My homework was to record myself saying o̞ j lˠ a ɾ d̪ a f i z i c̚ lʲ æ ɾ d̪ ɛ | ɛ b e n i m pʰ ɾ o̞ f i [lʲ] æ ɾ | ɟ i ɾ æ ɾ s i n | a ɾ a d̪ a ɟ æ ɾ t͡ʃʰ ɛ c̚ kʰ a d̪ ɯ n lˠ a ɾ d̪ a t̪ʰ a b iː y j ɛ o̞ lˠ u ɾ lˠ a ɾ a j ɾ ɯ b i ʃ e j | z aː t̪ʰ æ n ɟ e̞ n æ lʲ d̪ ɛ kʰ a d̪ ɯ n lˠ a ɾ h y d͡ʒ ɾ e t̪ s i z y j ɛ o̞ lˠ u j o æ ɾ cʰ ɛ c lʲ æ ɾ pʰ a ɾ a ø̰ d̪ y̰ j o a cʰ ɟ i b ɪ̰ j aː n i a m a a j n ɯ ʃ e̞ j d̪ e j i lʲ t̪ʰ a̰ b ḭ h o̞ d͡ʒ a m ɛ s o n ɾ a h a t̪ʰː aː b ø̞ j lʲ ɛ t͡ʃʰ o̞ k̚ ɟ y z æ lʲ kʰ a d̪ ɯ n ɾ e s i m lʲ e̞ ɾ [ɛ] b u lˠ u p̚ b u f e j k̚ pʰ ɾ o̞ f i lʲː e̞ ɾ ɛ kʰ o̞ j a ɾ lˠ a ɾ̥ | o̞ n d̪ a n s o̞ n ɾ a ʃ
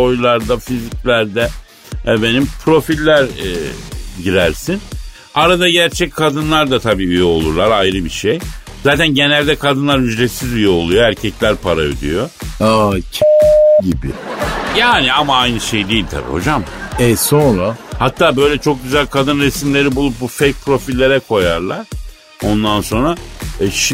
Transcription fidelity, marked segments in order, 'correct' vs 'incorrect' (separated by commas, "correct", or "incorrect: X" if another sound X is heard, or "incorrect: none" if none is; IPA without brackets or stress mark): incorrect: lʲː, incorrect: i